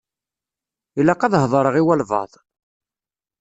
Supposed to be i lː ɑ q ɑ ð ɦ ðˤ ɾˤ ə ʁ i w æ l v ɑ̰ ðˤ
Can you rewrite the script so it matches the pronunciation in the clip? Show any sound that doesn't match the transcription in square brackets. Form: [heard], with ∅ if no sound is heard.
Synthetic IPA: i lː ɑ q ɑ ð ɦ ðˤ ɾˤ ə ʁ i w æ l v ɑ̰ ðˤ